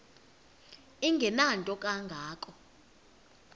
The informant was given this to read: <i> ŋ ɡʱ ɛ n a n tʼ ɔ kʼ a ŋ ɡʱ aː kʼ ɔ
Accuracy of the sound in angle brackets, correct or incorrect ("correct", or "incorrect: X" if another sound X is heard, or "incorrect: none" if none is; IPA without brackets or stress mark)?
correct